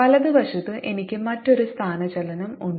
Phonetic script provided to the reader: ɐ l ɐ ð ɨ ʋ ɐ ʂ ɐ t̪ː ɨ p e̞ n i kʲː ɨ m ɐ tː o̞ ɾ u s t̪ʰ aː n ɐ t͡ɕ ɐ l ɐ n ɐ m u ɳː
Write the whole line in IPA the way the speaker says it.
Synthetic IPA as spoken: ɐ l ɐ ð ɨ ʋ ɐ ʂ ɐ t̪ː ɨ ʔ e̞ n i kʲː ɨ m ɐ tː o̞ ɾ u s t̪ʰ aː n ɐ t͡ɕ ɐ l ɐ n ɐ m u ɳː